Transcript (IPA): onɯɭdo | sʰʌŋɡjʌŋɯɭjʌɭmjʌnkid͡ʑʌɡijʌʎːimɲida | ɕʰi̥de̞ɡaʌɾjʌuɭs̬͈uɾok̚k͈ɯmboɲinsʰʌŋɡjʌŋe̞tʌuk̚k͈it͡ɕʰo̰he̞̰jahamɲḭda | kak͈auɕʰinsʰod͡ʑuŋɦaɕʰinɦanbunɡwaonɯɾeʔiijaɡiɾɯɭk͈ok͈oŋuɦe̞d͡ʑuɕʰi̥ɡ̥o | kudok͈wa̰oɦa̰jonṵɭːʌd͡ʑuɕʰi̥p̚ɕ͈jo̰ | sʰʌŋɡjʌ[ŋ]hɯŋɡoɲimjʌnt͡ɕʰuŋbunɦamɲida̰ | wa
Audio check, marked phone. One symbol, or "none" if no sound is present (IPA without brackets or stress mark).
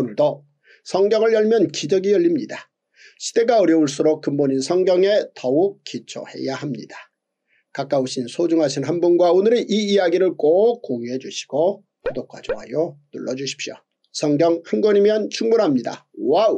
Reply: ŋ